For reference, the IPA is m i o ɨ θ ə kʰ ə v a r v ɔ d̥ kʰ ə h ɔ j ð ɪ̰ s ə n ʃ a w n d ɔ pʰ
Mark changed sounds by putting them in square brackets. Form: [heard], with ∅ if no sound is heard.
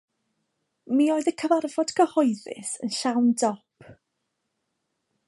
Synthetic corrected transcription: m i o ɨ [ð] ə kʰ ə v a r v ɔ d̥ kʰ ə h ɔ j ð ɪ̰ s ə n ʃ a w n d ɔ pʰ

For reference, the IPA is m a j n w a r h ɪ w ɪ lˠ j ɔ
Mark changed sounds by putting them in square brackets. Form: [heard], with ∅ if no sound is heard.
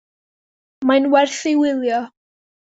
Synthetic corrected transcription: m a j n w [ɛ] r [θ] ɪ w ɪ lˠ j ɔ

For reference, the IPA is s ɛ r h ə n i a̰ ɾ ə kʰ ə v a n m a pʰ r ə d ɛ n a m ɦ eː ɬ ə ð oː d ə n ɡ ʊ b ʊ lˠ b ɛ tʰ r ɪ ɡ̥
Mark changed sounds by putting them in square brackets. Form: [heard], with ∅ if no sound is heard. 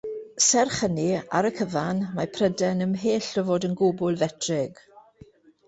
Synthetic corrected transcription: s ɛ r [χ] ə n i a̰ ɾ ə kʰ ə v a n m a pʰ r ə d ɛ n [ə] m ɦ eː ɬ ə [v] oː d ə n ɡ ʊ b ʊ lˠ [v] ɛ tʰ r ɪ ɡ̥

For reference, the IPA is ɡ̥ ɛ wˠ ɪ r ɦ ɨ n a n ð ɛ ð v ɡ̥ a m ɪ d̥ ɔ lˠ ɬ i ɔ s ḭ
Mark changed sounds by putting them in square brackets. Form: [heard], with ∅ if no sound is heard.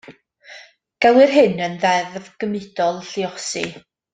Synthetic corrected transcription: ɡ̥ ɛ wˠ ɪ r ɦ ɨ n [ə] n ð ɛ ð v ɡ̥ [ə] m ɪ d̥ ɔ lˠ ɬ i ɔ s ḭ

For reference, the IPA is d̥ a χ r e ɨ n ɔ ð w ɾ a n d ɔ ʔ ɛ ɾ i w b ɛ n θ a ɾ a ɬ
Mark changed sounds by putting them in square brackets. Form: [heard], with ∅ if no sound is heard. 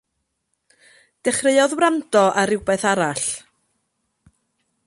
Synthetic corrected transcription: d̥ [ɛ] χ r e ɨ [∅] ɔ ð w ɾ a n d ɔ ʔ [a] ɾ [ɪ] w b ɛ [∅] θ a ɾ a ɬ

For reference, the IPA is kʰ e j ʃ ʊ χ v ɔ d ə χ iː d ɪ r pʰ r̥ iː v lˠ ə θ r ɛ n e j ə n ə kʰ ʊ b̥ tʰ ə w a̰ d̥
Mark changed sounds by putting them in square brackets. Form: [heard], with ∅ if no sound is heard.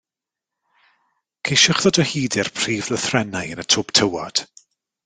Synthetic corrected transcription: kʰ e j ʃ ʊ χ [ð] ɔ d ə [h] iː d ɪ r pʰ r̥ iː v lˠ ə θ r ɛ n [a] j ə n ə [tʰ] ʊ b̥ tʰ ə w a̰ d̥

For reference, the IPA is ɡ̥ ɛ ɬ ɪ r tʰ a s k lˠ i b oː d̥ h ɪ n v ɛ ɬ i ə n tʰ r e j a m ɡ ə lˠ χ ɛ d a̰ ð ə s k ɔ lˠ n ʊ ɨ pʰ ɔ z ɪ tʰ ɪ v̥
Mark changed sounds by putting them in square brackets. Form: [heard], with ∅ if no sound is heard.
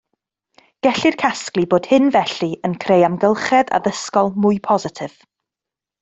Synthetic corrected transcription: ɡ̥ ɛ ɬ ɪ r [kʰ] a s k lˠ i b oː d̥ h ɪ n v ɛ ɬ i ə n [kʰ] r e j a m ɡ ə lˠ χ ɛ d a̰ ð ə s k ɔ lˠ [m] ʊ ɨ pʰ ɔ z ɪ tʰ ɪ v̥

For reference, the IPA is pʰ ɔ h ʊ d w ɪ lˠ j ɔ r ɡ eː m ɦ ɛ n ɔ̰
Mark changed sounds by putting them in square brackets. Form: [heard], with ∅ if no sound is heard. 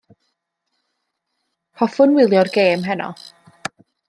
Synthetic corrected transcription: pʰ ɔ [f] ʊ [n] w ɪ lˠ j ɔ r ɡ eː m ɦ ɛ n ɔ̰

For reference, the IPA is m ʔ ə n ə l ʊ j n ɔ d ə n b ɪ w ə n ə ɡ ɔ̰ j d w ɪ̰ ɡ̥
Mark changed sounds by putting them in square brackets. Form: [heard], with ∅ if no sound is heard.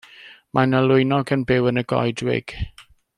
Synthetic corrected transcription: m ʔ [a] n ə l ʊ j n ɔ [ɡ] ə n b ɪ w ə n ə ɡ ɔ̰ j d w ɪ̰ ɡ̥

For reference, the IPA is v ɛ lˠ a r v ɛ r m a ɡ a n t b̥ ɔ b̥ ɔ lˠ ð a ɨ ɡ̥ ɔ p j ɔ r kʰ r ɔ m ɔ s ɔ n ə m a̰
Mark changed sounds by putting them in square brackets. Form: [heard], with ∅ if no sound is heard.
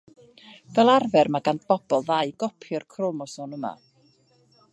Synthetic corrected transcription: v ɛ lˠ a r v ɛ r m a ɡ a n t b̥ ɔ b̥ ɔ lˠ ð a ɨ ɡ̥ ɔ [pʰ] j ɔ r kʰ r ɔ m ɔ s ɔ n ə m a̰

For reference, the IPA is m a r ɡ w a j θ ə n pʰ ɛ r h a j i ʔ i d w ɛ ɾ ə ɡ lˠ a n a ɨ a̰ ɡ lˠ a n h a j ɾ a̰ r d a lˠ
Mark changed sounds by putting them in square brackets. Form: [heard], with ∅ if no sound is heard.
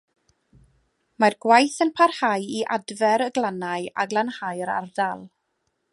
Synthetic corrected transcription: m a r ɡ w a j θ ə n pʰ [a] r h a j i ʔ [a] d [v] ɛ ɾ ə ɡ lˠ a n a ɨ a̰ ɡ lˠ a n h a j ɾ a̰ r d a lˠ

